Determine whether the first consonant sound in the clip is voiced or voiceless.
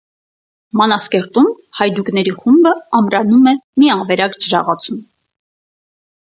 voiced